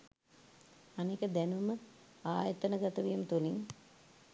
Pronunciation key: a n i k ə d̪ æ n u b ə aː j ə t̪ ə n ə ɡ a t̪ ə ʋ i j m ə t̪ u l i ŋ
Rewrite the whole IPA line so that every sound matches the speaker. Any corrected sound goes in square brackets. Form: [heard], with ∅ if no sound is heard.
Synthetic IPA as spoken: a n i k ə d̪ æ n u [m] ə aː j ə t̪ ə n ə ɡ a t̪ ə ʋ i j m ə t̪ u l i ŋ